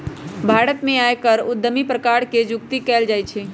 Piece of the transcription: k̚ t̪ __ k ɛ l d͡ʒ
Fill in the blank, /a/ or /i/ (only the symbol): i